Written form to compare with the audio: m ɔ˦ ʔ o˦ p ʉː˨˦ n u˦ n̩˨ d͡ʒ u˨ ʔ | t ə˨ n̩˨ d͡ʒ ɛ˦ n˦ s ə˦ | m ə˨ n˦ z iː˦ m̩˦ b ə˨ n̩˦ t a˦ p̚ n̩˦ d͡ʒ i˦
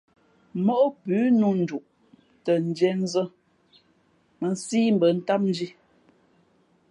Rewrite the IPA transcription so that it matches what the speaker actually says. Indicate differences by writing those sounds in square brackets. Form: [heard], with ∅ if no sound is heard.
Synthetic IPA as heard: m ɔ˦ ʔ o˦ p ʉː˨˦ n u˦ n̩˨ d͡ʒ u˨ ʔ | t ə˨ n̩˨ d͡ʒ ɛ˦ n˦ [z] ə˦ | m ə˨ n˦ [s] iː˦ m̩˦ b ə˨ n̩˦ t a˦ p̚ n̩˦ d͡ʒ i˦

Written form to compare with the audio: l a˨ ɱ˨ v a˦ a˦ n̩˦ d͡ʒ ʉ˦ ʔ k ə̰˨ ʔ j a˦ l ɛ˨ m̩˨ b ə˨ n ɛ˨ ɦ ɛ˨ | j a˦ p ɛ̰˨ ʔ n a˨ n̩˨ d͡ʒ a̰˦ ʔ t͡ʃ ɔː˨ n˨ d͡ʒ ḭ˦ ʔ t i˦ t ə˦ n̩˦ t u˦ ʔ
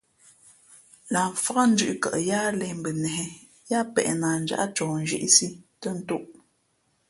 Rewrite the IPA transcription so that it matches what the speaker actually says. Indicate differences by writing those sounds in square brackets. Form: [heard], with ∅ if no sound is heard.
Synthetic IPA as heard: l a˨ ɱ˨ [f] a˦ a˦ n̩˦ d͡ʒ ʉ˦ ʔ k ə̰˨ ʔ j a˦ l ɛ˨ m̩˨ b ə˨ n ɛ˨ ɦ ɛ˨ | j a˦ p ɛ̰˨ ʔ n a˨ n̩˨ d͡ʒ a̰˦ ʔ t͡ʃ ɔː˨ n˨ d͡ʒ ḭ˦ ʔ [s] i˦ t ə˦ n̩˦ t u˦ ʔ

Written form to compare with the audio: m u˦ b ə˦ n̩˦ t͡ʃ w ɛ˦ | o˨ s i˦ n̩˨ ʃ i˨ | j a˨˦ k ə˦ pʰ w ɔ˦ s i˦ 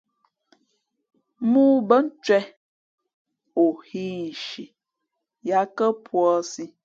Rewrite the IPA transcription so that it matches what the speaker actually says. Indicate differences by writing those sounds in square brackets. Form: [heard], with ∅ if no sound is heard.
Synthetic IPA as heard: m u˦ b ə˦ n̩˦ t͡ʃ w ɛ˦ | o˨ [h] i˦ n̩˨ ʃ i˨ | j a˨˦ k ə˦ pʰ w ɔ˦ s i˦

